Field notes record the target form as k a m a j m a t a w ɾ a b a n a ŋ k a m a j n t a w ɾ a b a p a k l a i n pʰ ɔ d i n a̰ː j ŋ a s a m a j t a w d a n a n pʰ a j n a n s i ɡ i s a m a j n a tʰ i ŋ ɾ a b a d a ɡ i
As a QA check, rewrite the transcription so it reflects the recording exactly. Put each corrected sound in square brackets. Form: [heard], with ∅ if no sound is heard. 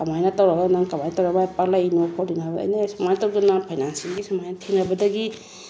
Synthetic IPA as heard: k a m a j [n] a t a w ɾ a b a n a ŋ k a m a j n t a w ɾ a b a p a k l a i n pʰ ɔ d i n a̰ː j [n] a s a m a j t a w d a n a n pʰ a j n a n s i ɡ i s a m a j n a tʰ i ŋ ɾ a b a d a ɡ i